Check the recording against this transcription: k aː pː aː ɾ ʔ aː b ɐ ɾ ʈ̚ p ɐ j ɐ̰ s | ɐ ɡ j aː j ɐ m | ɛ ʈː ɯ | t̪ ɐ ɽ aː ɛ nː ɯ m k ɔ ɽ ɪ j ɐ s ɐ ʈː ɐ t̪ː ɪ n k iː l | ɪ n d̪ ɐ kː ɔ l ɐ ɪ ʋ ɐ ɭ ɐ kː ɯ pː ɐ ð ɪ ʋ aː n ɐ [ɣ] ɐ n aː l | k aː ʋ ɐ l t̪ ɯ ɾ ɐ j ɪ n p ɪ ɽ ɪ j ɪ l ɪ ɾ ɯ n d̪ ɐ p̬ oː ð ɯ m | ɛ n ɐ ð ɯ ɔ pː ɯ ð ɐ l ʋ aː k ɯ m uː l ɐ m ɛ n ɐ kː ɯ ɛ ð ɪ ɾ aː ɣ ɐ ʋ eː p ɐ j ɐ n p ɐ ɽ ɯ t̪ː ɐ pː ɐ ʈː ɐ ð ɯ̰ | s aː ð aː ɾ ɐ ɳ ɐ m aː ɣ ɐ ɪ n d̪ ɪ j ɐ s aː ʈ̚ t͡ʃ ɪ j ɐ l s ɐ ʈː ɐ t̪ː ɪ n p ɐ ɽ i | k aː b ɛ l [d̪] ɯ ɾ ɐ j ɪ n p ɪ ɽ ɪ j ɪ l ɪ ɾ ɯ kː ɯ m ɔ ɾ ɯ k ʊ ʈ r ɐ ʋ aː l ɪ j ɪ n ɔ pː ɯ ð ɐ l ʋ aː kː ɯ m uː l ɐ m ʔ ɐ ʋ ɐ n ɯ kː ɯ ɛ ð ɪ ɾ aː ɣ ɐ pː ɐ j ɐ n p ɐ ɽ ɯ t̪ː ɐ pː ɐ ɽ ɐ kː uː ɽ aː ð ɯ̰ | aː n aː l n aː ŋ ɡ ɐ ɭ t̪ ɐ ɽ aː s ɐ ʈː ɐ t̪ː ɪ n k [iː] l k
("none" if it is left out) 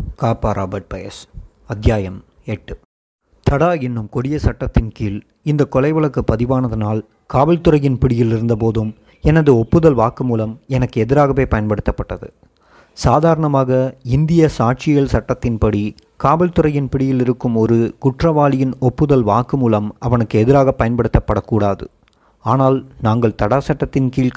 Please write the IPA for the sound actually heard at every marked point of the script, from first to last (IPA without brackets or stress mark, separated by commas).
ð, t̪, iː